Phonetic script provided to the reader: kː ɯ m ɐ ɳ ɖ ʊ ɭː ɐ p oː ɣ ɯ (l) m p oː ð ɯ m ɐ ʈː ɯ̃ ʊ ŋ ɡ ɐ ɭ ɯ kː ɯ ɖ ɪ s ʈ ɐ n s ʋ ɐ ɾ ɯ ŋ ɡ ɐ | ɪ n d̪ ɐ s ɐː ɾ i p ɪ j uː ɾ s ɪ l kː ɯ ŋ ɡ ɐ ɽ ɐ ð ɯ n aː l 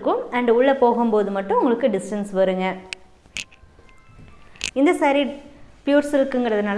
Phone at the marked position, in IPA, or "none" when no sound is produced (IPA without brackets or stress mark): none